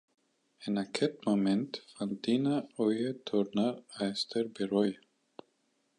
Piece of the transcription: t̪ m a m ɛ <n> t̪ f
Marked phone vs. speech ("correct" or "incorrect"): correct